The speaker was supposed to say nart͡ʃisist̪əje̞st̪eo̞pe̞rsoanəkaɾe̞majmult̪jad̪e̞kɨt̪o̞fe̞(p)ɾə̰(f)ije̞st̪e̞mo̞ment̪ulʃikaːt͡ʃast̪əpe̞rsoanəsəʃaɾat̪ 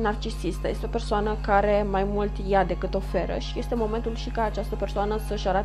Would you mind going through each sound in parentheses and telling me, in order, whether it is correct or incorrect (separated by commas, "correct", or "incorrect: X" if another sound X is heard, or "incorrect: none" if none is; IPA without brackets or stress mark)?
incorrect: none, incorrect: ʃ